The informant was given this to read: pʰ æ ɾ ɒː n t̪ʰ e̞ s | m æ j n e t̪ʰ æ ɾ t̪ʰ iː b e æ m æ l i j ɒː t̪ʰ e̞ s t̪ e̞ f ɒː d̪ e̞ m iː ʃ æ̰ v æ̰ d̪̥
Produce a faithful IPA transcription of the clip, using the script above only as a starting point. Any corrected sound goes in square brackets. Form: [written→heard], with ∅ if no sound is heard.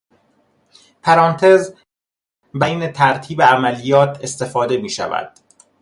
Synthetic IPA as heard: pʰ æ ɾ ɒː n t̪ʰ e̞ [s→z] | [m→b] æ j n e t̪ʰ æ ɾ t̪ʰ iː b e æ m æ l i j ɒː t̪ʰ e̞ s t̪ e̞ f ɒː d̪ e̞ m iː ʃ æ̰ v æ̰ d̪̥